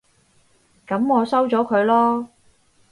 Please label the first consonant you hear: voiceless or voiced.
voiceless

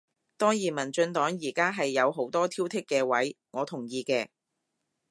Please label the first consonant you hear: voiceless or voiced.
voiceless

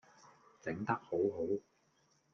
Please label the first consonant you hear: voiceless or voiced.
voiceless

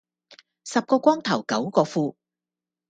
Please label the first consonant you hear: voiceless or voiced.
voiceless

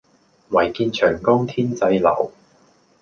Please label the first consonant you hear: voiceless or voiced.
voiced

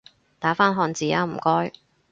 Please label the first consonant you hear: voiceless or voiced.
voiceless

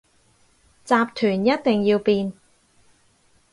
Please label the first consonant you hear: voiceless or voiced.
voiceless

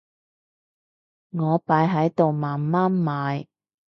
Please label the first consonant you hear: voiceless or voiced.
voiced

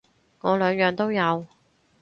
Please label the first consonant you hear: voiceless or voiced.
voiced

